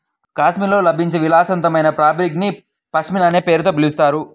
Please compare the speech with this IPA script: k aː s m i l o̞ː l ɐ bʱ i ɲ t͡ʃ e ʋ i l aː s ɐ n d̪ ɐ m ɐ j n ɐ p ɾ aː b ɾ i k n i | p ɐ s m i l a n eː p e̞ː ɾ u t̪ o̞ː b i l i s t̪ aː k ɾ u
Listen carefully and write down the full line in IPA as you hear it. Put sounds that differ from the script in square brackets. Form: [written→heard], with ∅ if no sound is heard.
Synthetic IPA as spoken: k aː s m i l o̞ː l ɐ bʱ i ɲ t͡ʃ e ʋ i l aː s ɐ n [d̪→t̪] ɐ m ɐ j n ɐ p ɾ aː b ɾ i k n i | p ɐ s m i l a n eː p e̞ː ɾ u t̪ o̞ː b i l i s t̪ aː [k→∅] ɾ u